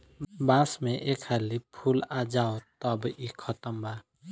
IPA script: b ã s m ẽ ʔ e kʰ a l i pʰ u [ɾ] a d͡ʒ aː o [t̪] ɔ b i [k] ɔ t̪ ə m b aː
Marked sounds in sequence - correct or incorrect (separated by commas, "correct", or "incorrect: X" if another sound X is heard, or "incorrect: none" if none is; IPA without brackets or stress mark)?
incorrect: l, correct, incorrect: kʰ